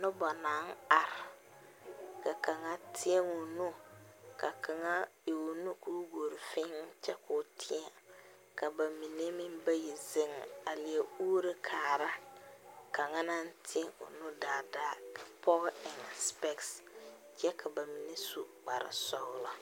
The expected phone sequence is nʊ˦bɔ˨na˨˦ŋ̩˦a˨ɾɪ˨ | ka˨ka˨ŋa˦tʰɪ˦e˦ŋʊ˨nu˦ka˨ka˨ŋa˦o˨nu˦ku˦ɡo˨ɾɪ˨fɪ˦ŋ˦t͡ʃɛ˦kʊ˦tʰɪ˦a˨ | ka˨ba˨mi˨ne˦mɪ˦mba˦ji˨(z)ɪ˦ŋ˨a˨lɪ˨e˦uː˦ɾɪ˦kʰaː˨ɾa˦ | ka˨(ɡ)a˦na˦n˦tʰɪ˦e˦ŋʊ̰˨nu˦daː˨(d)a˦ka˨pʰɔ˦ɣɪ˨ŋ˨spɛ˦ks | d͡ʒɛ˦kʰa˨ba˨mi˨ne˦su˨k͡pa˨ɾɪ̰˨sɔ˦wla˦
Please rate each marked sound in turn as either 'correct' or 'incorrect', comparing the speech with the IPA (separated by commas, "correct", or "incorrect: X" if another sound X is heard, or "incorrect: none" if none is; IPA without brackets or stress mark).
correct, incorrect: ŋ, correct